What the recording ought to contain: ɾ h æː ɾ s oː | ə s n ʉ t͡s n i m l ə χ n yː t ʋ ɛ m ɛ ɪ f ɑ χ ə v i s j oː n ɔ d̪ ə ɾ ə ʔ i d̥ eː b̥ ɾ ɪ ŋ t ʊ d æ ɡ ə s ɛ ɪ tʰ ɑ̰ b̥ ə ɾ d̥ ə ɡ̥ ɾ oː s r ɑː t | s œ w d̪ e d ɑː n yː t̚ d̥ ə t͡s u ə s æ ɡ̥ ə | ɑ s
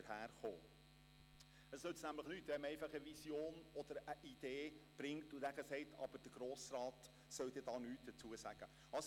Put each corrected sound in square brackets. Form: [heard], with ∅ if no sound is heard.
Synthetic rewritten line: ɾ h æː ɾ [χ] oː | ə s n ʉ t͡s n [æ] m l ə χ n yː t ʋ ɛ m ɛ ɪ f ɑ χ ə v i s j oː n ɔ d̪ ə ɾ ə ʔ i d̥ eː b̥ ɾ ɪ ŋ t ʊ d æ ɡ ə s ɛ ɪ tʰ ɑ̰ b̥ ə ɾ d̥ ə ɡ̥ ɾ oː s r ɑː t | s œ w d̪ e d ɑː n yː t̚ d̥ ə t͡s u ə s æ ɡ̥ ə | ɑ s